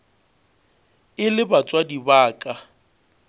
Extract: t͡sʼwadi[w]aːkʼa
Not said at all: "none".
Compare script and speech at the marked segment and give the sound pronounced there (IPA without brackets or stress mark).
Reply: b